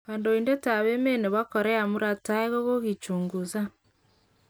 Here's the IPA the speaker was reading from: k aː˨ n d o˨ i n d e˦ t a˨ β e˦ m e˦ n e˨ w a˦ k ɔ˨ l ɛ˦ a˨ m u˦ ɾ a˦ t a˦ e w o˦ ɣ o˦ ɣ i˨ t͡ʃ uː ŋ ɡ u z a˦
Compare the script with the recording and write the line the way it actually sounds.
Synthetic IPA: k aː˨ n d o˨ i n d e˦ t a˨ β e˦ m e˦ n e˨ β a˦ k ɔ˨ ɾ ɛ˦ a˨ m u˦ ɾ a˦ t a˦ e ɣ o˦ ɣ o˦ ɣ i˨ t͡ʃ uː ŋ ɡ u z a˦